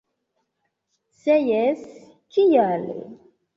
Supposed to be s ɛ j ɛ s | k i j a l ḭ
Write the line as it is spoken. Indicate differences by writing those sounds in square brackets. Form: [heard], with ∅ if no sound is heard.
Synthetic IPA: s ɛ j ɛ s | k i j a l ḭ